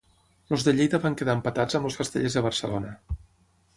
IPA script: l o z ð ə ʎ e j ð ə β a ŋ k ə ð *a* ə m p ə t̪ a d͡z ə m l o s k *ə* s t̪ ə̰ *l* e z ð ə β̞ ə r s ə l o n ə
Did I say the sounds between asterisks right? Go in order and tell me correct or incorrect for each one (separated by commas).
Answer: correct, correct, incorrect